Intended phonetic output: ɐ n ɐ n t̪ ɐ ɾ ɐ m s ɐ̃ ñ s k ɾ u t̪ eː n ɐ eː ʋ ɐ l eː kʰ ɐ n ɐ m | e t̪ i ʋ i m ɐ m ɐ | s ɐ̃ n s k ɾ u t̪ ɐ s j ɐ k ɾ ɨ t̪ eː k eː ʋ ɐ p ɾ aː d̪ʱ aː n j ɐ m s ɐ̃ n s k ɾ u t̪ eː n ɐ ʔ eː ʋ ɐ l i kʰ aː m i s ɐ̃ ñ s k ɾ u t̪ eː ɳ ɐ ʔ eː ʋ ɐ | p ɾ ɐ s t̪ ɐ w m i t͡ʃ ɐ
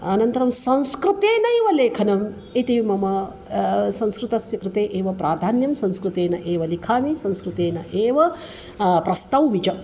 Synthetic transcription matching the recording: ɐ n ɐ n t̪ ɐ ɾ ɐ m s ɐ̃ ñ s k ɾ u t̪ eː n ɐ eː ʋ ɐ l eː kʰ ɐ n ɐ m | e t̪ i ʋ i m ɐ m ɐ | s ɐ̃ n s k ɾ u t̪ ɐ s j ɐ k ɾ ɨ t̪ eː ʔ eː ʋ ɐ p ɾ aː d̪ʱ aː n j ɐ m s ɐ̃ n s k ɾ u t̪ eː n ɐ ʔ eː ʋ ɐ l i kʰ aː m i s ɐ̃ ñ s k ɾ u t̪ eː n ɐ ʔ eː ʋ ɐ | p ɾ ɐ s t̪ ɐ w m i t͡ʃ ɐ

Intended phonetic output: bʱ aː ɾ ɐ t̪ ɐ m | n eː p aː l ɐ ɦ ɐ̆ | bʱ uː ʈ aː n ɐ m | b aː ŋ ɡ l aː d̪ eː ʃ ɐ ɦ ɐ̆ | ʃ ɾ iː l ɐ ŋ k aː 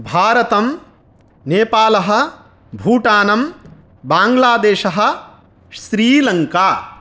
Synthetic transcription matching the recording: bʱ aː ɾ ɐ t̪ ɐ m | n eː p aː l ɐ ɦ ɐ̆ | bʱ uː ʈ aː n ɐ m | b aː ŋ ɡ l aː d̪ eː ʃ ɐ ɦ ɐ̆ | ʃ ɾ iː l ɐ ŋ k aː

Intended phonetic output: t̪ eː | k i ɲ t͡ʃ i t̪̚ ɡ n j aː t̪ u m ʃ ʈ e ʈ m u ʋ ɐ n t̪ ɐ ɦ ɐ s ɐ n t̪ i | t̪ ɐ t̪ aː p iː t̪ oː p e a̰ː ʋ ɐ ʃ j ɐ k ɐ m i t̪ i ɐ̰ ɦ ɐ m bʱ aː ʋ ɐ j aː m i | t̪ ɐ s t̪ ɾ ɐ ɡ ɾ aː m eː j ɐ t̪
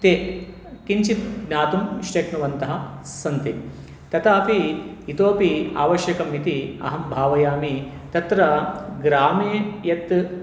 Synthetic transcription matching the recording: t̪ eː | k i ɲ t͡ʃ i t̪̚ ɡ n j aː t̪ u m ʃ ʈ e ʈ n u ʋ ɐ n t̪ ɐ ɦ ɐ s ɐ n t̪ i | t̪ ɐ t̪ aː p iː t̪ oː p i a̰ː ʋ ɐ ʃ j ɐ k ɐ m i t̪ i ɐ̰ ɦ ɐ m bʱ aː ʋ ɐ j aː m i | t̪ ɐ t̪ ɾ ɐ ɡ ɾ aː m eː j ɐ t̪

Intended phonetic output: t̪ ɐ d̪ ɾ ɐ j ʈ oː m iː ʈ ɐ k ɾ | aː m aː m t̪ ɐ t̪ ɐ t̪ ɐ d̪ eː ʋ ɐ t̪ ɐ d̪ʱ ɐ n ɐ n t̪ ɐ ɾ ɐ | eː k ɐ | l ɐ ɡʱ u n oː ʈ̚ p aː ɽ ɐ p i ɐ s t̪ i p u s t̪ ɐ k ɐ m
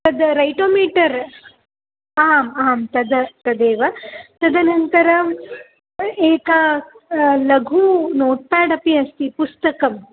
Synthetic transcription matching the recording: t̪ ɐ d̪ ɾ ɐ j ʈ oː m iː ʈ ɐ ɾ | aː m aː m t̪ ɐ d̪ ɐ t̪ ɐ d̪ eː ʋ ɐ t̪ ɐ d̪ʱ ɐ n ɐ n t̪ ɐ ɾ ɐ | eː k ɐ | l ɐ ɡʱ u n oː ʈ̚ p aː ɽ ɐ p i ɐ s t̪ i p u s t̪ ɐ k ɐ m

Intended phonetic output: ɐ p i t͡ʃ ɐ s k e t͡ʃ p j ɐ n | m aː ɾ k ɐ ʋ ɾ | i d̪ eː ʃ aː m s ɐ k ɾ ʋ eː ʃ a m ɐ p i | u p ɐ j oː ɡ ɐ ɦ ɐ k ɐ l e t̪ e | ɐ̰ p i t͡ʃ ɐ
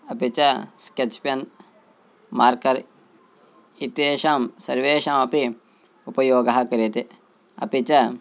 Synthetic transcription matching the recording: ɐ p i t͡ʃ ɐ s k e t͡ʃ p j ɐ n | m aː ɾ k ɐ ɾ | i t̪ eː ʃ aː m s ɐ ɾ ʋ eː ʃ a m ɐ p i | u p ɐ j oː ɡ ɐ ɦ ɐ k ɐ ɾ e t̪ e | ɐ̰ p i t͡ʃ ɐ

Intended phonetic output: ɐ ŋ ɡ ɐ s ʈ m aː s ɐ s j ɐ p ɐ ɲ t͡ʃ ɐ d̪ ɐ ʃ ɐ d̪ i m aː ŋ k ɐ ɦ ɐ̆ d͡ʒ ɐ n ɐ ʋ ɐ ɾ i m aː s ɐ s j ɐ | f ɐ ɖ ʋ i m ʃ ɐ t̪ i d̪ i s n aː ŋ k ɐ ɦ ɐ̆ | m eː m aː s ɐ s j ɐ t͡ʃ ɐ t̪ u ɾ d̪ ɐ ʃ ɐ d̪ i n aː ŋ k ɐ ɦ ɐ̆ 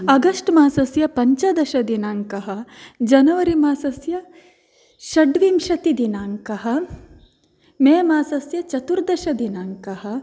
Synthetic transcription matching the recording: ɐ ɡ ɐ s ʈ m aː s ɐ s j ɐ p ɐ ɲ t͡ʃ ɐ d̪ ɐ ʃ ɐ d̪ i n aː ŋ k ɐ ɦ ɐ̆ d͡ʒ ɐ n ɐ ʋ ɐ ɾ i m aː s ɐ s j ɐ | ʃ ɐ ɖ ʋ i m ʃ ɐ t̪ i d̪ i n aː ŋ k ɐ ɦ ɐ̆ | m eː m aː s ɐ s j ɐ t͡ʃ ɐ t̪ u ɾ d̪ ɐ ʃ ɐ d̪ i n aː ŋ k ɐ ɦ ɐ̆

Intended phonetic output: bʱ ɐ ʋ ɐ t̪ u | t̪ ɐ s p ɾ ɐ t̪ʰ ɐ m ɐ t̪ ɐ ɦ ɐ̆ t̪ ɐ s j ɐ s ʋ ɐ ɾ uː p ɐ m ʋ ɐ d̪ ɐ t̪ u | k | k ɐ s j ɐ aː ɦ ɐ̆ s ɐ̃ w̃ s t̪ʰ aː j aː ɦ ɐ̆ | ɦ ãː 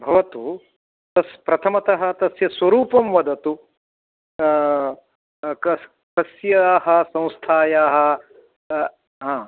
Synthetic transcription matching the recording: bʱ ɐ ʋ ɐ t̪ u | t̪ ɐ s p ɾ ɐ t̪ʰ ɐ m ɐ t̪ ɐ ɦ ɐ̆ t̪ ɐ s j ɐ s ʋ ɐ ɾ uː p ɐ m ʋ ɐ d̪ ɐ t̪ u | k | k ɐ s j ɐ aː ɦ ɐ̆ s ɐ̃ w̃ s t̪ʰ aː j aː ɦ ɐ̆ | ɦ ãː

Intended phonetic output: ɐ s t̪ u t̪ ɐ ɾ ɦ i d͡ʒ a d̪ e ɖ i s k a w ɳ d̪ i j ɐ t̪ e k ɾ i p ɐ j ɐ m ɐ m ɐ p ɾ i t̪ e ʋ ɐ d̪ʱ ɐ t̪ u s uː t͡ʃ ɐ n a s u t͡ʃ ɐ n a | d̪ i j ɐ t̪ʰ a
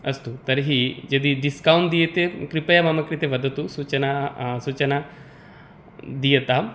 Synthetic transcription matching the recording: ɐ s t̪ u t̪ ɐ ɾ ɦ i d͡ʒ ɐ d̪ i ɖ i s k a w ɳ d̪ i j ɐ t̪ e k ɾ i p ɐ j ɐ m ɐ m ɐ k ɾ i t̪ e ʋ ɐ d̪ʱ ɐ t̪ u s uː t͡ʃ ɐ n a s u t͡ʃ ɐ n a | d̪ i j ɐ t̪ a

